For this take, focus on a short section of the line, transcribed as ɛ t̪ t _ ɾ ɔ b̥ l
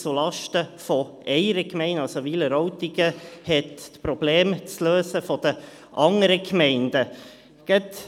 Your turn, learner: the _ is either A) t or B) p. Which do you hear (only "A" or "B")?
B